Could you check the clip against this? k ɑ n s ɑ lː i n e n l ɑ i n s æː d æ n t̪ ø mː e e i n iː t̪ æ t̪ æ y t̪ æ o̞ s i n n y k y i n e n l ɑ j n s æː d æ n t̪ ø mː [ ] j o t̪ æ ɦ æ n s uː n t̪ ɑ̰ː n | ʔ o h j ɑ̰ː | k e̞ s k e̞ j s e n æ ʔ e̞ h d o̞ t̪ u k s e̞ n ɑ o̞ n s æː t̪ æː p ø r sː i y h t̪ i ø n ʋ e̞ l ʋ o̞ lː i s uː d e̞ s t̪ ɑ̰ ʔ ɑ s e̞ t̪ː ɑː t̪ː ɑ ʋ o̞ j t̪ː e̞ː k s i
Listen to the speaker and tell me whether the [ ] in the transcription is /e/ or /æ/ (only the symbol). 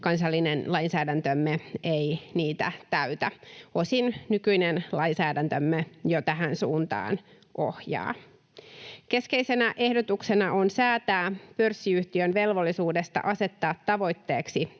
e